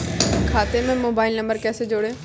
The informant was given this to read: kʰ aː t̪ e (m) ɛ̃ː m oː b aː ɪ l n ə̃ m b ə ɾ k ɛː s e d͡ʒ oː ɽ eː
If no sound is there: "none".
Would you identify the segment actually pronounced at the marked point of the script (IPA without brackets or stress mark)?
m